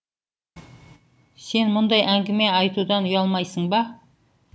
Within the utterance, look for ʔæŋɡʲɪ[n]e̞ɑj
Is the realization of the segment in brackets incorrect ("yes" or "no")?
yes